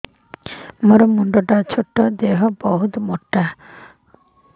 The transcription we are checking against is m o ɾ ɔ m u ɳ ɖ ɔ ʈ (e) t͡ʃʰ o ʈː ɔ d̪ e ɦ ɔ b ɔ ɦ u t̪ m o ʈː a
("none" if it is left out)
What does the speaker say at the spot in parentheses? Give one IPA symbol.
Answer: a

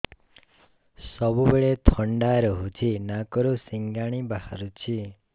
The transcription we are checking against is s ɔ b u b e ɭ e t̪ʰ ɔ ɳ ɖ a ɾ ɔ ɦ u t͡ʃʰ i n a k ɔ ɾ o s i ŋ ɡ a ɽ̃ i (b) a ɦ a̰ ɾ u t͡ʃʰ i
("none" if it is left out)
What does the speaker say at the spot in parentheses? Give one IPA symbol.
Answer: b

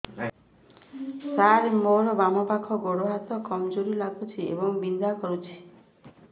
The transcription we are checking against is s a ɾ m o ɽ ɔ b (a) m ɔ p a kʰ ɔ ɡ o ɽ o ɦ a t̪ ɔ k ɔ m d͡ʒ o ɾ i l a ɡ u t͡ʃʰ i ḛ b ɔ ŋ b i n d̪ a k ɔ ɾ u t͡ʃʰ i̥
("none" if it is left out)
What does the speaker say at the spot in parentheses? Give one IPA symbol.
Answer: a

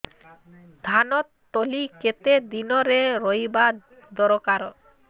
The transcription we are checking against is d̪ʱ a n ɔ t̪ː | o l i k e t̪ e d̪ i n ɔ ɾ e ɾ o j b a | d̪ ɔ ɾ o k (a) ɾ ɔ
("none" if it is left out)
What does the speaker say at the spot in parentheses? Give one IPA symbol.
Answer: a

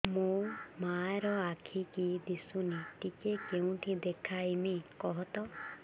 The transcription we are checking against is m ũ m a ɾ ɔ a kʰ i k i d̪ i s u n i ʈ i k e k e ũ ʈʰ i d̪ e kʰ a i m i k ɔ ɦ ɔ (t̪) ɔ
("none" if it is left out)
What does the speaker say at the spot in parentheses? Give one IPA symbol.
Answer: t̪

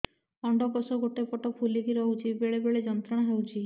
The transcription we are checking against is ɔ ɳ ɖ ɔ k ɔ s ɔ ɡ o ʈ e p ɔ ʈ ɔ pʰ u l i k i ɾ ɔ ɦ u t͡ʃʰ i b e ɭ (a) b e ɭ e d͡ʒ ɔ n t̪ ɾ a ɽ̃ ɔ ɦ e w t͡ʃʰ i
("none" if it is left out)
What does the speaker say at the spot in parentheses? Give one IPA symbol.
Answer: e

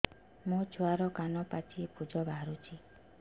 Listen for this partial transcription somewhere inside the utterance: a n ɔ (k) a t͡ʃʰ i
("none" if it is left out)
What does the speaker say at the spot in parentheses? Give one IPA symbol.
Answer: p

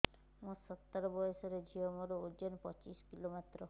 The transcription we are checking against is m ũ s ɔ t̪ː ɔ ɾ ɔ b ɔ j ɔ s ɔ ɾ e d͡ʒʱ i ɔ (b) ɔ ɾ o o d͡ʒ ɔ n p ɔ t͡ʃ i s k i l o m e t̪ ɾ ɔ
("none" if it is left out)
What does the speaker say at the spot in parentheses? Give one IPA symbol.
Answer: m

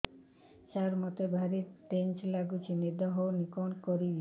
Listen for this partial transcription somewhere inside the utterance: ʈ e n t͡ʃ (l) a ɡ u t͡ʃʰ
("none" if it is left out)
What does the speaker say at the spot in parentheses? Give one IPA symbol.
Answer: l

